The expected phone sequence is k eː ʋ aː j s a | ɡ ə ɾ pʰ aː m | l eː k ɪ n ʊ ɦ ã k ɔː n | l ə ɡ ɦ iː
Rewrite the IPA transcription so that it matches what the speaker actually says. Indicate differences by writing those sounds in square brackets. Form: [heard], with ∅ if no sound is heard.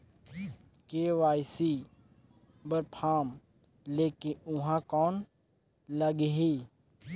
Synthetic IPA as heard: k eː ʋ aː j s [i] | [b] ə ɾ pʰ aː m | l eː k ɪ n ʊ ɦ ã k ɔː n | l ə ɡ ɦ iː